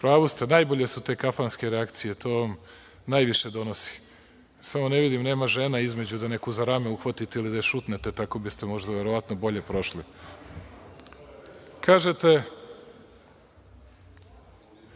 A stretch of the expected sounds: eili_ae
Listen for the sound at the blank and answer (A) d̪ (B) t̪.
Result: A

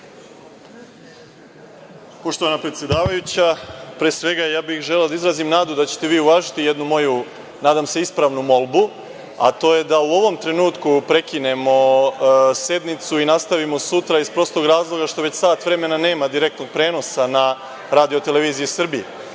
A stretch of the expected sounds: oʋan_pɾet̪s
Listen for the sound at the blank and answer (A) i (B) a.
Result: B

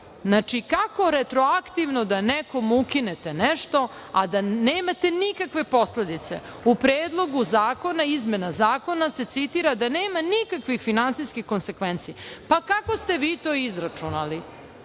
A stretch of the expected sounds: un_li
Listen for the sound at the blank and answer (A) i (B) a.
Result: B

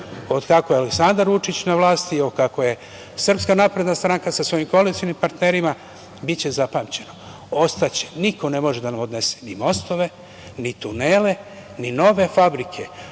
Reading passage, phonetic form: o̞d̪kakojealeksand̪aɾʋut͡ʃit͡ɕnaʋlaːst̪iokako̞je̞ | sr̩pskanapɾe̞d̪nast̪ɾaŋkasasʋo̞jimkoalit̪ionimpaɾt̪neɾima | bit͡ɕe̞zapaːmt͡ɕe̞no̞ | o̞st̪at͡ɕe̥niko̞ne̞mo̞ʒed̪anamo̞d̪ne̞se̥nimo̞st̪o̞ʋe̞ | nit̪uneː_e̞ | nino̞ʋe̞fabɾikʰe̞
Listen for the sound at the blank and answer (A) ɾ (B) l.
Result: B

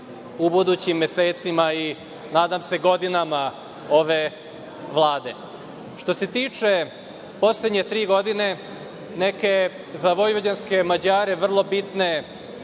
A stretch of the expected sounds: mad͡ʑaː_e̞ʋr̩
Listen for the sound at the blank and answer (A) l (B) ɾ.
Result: B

